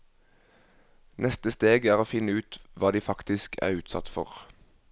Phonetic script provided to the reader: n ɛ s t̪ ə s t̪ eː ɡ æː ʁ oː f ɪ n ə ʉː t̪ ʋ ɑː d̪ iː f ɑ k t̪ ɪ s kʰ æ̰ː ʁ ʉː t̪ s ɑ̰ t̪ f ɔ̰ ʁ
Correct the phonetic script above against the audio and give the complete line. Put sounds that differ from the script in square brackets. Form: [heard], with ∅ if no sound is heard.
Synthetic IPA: n ɛ s t̪ ə s t̪ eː ɡ æː ʁ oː f ɪ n ə ʉː t̪ ʋ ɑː d̪ iː f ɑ k t̪ ɪ s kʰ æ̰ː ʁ ʉː t̪ s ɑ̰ t̪ f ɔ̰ ʁ